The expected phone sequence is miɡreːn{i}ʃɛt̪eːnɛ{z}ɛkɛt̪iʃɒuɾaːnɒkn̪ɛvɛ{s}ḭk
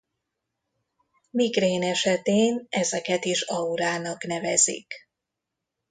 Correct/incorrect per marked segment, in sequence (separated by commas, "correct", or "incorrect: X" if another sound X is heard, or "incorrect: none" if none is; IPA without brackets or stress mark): incorrect: ɛ, correct, incorrect: z